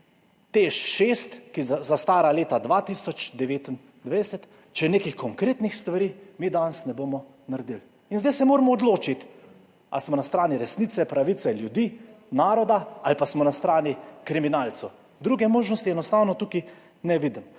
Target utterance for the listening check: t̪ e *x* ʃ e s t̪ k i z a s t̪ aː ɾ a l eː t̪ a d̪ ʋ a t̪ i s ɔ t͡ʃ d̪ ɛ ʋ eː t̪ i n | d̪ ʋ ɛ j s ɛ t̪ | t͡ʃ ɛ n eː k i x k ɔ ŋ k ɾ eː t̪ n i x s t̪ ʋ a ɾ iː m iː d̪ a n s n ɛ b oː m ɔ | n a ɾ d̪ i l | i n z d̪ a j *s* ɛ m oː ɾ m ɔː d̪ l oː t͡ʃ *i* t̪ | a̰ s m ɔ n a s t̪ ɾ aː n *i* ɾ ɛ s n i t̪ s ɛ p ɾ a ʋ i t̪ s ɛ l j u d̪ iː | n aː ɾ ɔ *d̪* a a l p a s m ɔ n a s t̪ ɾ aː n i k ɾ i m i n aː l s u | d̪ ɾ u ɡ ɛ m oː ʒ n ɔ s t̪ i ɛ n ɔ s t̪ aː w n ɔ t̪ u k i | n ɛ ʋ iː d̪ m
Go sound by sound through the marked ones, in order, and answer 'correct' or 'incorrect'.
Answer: incorrect: ʃ, correct, correct, correct, correct

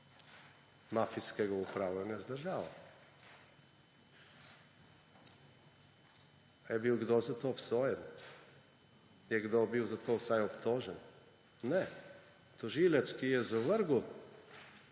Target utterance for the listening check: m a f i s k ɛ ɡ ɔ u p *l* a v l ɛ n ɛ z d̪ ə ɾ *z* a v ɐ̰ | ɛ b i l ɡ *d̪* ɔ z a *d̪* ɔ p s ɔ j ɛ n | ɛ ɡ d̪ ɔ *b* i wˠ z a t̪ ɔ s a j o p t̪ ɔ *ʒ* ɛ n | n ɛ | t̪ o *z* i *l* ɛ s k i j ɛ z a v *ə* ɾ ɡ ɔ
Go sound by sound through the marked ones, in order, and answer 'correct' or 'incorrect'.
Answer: incorrect: ɾ, incorrect: ʒ, correct, incorrect: t̪, correct, correct, incorrect: ʒ, correct, correct

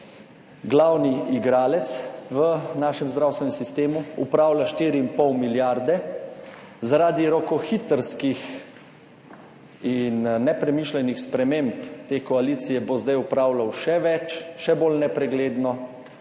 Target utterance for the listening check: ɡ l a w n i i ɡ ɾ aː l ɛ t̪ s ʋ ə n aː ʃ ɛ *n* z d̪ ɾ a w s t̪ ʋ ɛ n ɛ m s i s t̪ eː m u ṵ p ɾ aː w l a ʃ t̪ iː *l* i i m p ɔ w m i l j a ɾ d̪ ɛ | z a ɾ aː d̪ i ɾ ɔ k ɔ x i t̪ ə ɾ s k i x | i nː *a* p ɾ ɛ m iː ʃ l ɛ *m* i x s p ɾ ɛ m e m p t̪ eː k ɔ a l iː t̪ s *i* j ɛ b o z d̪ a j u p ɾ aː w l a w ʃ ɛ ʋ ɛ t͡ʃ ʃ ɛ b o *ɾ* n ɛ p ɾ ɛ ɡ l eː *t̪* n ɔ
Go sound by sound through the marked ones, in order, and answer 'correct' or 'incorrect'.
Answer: incorrect: m, incorrect: ɾ, incorrect: ɛ, incorrect: n, correct, incorrect: l, incorrect: d̪

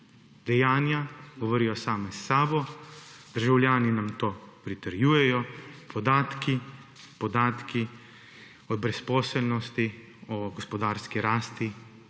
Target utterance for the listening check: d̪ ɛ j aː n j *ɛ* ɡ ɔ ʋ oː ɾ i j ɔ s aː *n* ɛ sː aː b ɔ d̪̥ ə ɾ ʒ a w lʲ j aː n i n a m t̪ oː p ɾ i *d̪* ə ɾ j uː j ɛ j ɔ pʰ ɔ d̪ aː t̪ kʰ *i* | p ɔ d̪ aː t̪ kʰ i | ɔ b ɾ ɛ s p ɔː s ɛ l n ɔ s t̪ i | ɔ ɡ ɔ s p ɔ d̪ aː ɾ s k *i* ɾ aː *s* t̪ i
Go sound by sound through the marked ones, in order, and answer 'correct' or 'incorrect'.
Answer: incorrect: a, incorrect: m, incorrect: t̪, correct, correct, correct

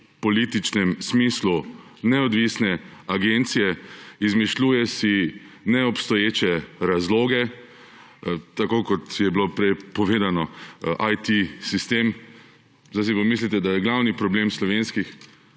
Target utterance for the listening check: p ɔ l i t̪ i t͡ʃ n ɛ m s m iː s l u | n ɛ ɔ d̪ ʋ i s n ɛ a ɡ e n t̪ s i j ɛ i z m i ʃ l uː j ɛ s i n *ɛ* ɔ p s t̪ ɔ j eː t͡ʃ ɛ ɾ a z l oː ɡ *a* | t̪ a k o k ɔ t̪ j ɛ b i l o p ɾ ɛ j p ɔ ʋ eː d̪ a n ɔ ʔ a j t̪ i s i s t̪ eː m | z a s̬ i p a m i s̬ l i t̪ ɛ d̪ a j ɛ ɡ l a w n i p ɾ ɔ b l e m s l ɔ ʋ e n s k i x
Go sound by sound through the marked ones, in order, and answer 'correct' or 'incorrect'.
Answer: correct, incorrect: ɛ

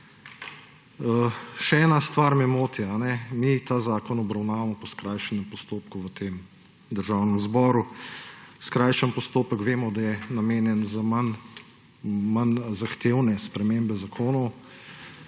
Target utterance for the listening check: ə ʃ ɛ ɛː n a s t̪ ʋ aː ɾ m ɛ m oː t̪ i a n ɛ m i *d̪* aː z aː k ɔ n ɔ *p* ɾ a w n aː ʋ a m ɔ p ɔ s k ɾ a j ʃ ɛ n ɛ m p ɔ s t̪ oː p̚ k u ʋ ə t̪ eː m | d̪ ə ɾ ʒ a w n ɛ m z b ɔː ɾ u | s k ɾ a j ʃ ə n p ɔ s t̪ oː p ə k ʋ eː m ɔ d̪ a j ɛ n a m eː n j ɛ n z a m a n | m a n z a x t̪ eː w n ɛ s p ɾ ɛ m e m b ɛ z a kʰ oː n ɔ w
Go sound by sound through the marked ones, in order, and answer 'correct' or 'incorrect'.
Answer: incorrect: t̪, incorrect: b

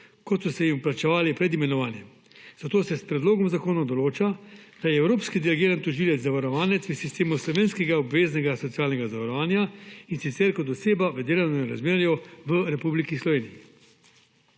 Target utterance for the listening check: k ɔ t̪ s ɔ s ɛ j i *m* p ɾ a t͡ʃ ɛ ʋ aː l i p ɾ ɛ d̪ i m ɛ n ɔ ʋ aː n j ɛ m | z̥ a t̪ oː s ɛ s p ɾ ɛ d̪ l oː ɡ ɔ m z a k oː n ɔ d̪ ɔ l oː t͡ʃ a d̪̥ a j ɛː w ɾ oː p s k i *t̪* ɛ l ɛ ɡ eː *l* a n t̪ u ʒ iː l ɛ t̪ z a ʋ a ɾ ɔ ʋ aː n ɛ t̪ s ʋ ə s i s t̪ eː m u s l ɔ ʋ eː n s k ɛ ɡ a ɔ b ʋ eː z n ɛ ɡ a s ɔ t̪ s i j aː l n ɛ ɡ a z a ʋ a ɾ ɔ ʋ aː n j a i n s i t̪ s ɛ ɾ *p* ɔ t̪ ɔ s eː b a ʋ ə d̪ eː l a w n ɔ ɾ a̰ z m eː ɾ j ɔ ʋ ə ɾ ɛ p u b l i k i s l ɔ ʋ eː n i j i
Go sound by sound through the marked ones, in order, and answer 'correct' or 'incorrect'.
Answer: correct, incorrect: d̪, incorrect: ɾ, incorrect: k

